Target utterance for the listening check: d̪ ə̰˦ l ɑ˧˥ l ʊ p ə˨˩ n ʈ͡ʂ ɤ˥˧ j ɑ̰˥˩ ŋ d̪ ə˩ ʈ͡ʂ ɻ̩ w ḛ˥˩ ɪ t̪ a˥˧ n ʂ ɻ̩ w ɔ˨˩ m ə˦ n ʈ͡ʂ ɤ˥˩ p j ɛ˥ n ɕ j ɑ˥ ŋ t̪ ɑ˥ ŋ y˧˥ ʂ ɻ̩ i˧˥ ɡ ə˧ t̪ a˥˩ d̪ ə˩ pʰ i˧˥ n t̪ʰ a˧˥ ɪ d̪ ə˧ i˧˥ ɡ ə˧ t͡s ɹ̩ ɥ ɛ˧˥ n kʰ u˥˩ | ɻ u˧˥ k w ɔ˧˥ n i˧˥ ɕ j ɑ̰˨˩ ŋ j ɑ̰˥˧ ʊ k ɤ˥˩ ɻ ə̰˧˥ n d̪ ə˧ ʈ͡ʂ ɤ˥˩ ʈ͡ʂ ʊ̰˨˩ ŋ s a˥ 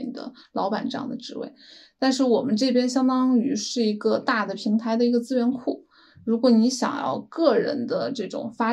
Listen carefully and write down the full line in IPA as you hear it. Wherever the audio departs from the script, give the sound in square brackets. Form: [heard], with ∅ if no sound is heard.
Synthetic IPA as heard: d̪ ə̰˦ l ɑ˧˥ [∅] ʊ p [a˨˩] n ʈ͡ʂ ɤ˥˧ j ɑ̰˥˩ ŋ d̪ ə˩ ʈ͡ʂ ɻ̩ w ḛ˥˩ ɪ t̪ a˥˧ n ʂ ɻ̩ w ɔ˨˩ m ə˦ n ʈ͡ʂ ɤ˥˩ p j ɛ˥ n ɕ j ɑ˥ ŋ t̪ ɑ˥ ŋ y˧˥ ʂ ɻ̩ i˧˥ ɡ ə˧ t̪ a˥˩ d̪ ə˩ pʰ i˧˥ [ŋ] t̪ʰ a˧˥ ɪ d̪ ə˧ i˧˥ ɡ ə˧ t͡s ɹ̩ ɥ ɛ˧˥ n kʰ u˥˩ | ɻ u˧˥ k w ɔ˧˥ n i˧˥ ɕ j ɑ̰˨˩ ŋ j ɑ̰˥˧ ʊ k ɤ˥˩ ɻ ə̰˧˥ n d̪ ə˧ ʈ͡ʂ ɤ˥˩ ʈ͡ʂ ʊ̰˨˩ ŋ [f] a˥